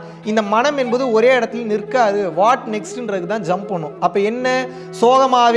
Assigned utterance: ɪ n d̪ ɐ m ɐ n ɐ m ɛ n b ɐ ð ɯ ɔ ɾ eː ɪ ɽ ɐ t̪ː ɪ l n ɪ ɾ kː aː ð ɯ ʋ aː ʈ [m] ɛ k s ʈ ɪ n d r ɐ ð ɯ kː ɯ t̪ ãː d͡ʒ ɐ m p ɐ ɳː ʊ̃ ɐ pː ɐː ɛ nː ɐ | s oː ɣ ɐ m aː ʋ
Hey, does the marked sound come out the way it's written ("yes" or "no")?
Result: no